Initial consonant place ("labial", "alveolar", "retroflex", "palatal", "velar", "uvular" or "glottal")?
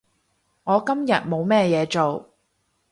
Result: velar